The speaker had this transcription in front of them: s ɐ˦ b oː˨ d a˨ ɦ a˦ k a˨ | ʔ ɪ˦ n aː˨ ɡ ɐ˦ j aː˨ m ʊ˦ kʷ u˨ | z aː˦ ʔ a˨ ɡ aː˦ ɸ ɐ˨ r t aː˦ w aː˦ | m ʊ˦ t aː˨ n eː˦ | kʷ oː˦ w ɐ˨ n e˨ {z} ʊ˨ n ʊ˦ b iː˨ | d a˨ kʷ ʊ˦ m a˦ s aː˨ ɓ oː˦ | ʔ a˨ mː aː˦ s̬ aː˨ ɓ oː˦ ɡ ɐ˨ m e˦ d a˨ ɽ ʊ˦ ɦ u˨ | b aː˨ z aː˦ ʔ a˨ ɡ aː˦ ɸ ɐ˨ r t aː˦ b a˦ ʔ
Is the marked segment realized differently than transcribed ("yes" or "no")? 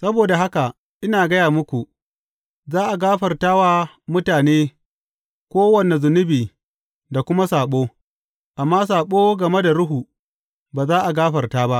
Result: no